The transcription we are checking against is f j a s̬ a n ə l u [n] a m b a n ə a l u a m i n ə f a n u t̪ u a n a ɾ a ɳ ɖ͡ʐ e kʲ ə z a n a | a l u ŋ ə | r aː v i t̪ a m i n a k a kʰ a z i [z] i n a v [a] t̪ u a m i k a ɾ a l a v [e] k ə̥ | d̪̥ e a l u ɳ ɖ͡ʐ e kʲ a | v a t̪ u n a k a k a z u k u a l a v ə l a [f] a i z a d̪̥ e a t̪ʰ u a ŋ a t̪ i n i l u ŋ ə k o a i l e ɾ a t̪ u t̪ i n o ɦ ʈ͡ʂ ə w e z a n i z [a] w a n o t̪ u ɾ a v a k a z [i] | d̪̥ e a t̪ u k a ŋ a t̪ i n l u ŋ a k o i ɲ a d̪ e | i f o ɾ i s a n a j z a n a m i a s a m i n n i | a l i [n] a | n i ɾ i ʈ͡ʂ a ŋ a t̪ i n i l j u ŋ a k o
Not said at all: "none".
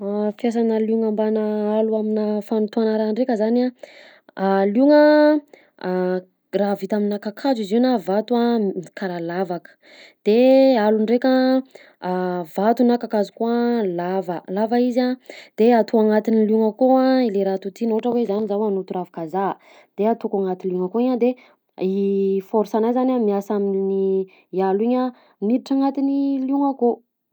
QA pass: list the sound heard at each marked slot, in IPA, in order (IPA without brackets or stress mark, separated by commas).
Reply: ŋ, z, a, a, v, a, a, ɲ